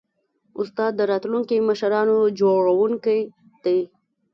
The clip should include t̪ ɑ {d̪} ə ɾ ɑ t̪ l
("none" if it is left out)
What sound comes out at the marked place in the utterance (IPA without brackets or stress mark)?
d̪ː